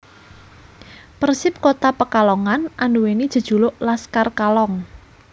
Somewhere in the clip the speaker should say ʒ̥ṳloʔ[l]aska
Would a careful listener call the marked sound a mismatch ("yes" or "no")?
no